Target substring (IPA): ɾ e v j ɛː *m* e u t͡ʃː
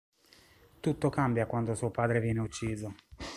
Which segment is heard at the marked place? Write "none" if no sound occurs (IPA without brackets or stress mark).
n